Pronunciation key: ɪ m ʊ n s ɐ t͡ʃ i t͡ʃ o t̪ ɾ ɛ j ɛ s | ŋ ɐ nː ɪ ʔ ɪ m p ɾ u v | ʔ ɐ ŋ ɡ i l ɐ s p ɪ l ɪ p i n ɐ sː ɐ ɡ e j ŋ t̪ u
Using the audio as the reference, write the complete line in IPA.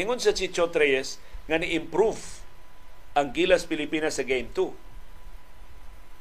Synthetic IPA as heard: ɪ ŋ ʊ n s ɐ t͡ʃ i t͡ʃ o t̪ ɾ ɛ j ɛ s | ŋ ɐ n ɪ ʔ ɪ m p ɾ u v | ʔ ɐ ŋ ɡ i l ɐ s p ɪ l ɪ p i n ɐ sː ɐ ɡ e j m t̪ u